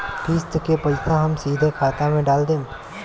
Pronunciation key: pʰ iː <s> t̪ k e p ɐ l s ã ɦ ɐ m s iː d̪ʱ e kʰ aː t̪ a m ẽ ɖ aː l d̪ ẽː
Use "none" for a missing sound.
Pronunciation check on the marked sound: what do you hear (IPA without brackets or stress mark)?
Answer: s